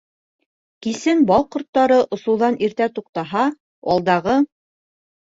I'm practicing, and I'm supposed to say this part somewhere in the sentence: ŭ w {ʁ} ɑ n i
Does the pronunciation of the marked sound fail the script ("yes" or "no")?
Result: yes